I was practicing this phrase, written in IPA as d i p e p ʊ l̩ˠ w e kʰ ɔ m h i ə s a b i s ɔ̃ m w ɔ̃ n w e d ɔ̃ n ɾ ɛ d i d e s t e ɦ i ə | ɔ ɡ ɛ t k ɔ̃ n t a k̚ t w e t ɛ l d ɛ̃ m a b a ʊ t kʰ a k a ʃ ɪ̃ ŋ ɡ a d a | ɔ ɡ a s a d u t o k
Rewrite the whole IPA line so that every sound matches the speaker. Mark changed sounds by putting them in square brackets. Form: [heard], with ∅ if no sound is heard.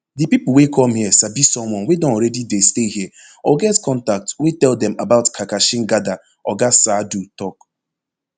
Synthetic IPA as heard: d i p [i] p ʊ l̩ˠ w e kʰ ɔ m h i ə s a b i s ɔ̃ m w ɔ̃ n w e d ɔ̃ n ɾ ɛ d i d e s t e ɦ i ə | ɔ ɡ ɛ t k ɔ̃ n t a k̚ t w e t ɛ l d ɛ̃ m a b a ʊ t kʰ a k a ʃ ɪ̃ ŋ ɡ a d a | ɔ ɡ a s a d u t [ɔ] k